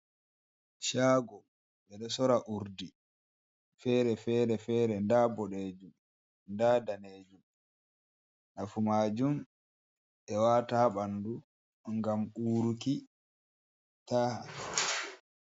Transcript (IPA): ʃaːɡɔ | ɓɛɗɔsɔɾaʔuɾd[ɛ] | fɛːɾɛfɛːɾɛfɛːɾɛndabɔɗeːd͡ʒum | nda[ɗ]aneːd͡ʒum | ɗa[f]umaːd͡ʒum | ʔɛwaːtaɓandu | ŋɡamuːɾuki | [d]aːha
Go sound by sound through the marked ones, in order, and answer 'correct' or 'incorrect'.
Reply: incorrect, incorrect, correct, incorrect

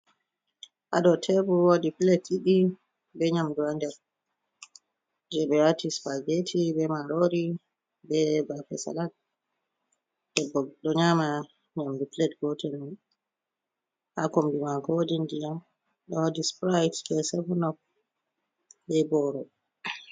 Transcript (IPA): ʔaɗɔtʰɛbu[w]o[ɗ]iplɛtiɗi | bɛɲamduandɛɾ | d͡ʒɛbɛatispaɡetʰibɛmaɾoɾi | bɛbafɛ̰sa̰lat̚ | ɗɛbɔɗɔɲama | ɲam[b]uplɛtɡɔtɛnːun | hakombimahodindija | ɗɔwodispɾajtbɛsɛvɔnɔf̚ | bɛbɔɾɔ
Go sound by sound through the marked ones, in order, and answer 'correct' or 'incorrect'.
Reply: correct, incorrect, incorrect

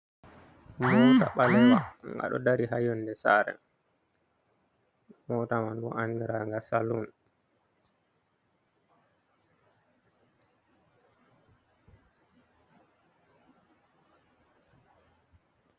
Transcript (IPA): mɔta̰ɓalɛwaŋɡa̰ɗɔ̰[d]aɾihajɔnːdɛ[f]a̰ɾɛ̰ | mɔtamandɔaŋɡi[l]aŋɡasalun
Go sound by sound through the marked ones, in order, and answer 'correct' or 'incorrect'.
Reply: correct, incorrect, incorrect

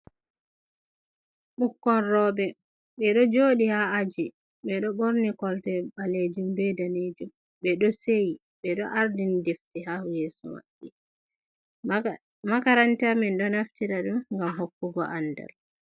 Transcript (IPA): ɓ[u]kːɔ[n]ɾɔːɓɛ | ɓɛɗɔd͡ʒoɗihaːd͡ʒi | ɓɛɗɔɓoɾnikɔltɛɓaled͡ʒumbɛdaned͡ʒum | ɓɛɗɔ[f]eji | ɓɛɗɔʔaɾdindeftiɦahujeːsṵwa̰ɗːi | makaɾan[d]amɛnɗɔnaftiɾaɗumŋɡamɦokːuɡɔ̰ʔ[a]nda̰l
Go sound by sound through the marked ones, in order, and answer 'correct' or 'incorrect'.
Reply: correct, correct, incorrect, incorrect, correct

